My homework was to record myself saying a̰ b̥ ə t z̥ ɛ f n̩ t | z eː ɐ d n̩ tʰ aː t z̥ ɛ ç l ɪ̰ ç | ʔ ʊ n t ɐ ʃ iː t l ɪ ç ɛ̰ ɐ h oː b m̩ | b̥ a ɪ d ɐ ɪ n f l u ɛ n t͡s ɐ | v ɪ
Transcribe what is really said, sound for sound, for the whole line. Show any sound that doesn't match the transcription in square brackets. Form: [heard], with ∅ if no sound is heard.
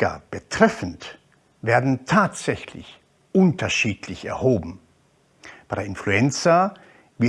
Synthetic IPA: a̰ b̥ ə t [ʁ̥] ɛ f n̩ t | [v] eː ɐ d n̩ tʰ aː t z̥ ɛ ç l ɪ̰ ç | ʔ ʊ n t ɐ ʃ iː t l ɪ ç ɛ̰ ɐ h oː b m̩ | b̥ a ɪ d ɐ ɪ n f l u ɛ n t͡s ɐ | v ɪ